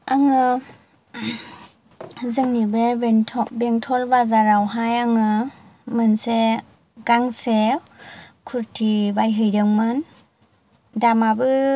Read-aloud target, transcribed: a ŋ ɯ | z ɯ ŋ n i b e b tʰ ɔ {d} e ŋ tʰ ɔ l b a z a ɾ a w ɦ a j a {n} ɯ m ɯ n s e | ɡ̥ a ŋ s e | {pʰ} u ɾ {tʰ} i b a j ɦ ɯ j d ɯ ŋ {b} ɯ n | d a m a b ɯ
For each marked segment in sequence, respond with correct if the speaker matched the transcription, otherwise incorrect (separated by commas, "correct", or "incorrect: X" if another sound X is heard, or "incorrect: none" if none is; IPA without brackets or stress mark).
incorrect: b, incorrect: ŋ, incorrect: kʰ, correct, incorrect: m